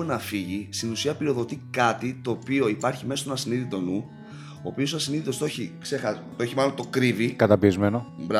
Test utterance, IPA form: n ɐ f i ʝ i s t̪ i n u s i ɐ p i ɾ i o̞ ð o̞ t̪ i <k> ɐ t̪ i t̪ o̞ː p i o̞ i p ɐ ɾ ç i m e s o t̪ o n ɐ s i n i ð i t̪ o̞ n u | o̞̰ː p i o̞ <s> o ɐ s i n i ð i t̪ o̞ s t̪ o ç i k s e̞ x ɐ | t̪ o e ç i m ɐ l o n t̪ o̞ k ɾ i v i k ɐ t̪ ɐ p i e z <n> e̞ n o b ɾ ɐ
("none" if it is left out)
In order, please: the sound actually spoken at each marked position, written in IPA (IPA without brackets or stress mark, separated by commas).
k, s, m